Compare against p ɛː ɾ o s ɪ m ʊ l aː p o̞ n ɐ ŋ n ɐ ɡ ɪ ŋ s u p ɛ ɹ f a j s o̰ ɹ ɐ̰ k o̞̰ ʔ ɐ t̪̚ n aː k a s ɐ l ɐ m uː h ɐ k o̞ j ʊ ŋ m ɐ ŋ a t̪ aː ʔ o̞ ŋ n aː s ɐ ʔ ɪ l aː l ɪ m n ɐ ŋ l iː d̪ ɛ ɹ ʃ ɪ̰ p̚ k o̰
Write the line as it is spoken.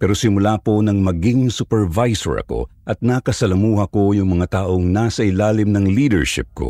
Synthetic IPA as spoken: p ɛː ɾ o s ɪ m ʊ l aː p o̞ n ɐ ŋ m ɐ ɡ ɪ ŋ s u p ɛ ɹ v a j s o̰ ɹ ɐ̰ k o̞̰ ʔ ɐ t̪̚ n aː k ɐ s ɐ l ɐ m uː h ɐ k o̞ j ʊ ŋ m ɐ ŋ a t̪ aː ʔ o̞ ŋ n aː s ɐ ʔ ɪ l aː l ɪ m n ɐ ŋ l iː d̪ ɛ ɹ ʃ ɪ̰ p̚ k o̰